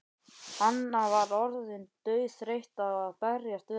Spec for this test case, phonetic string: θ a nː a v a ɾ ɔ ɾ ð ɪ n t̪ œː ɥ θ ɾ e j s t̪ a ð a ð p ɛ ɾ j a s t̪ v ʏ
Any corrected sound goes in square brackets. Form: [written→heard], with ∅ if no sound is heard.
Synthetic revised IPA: [θ→h] a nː a v a ɾ ɔ ɾ ð ɪ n t̪ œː ɥ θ ɾ e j [s→h] t̪ a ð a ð p ɛ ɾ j a s t̪ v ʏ